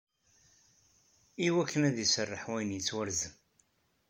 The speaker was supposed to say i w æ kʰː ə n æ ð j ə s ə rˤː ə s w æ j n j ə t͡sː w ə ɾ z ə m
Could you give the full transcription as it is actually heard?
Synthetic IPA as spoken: i w æ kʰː ə n æ ð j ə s ə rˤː ə ħ w æ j n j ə t͡sː w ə ɾ z ə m